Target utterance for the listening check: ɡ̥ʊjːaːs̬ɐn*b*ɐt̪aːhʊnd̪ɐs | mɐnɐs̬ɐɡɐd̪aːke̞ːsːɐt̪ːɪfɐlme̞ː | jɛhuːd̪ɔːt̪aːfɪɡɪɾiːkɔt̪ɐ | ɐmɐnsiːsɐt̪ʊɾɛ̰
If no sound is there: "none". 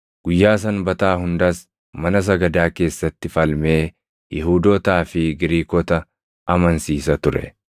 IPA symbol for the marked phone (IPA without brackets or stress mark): b